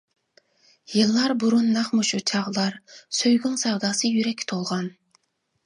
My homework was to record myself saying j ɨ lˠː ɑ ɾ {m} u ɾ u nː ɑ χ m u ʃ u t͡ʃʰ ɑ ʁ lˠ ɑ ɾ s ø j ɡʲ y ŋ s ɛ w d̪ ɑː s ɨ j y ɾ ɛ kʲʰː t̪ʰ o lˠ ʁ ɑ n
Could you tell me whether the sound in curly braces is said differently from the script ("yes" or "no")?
yes